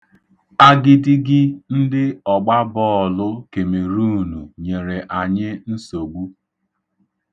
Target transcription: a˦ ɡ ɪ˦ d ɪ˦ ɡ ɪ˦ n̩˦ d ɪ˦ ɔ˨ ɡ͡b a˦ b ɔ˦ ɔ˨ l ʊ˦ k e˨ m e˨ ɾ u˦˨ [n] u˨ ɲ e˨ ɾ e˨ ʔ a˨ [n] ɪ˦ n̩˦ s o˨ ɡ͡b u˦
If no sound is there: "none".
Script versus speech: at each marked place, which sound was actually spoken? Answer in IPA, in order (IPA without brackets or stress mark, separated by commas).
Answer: n, ɲ